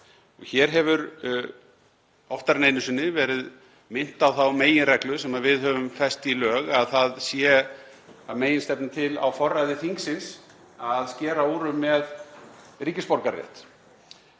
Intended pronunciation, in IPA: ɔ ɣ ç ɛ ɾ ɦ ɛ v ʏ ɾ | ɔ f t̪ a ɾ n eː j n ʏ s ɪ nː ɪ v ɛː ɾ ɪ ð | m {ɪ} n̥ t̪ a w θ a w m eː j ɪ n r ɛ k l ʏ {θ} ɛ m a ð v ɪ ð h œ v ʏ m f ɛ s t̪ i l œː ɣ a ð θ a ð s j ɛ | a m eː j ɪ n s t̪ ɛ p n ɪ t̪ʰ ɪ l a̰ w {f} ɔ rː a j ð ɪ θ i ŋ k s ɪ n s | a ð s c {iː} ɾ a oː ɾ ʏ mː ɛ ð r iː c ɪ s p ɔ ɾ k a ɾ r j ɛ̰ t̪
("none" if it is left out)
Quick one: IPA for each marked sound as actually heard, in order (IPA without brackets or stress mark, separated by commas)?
ɪ, s, f, ɛː